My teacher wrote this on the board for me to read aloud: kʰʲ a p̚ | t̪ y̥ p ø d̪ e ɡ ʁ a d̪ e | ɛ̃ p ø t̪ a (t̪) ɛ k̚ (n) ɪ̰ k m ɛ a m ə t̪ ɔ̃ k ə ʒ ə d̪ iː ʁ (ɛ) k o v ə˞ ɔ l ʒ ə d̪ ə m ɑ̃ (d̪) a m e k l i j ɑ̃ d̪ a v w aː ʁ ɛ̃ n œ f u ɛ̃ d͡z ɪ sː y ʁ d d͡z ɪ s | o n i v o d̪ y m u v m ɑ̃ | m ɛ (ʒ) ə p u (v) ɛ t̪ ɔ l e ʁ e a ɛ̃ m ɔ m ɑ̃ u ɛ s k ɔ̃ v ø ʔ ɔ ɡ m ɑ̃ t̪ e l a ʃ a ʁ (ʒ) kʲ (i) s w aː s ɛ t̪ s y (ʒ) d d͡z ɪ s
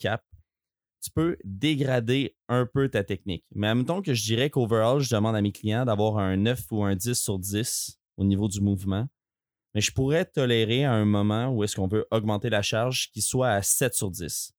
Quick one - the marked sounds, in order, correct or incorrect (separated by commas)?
correct, correct, correct, correct, correct, incorrect, correct, correct, incorrect